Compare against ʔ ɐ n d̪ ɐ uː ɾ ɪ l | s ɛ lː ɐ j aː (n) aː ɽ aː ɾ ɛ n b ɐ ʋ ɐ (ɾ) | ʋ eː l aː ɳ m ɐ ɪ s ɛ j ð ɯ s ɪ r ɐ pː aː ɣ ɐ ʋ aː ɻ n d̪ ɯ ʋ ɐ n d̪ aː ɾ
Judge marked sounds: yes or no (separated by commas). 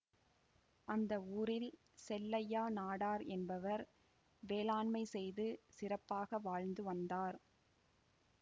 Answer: yes, yes